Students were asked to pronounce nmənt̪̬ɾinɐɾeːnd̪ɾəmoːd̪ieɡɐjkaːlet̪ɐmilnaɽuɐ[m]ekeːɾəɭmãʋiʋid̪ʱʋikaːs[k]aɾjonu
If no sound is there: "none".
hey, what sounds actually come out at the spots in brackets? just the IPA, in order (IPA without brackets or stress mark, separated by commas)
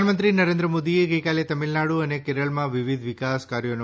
n, k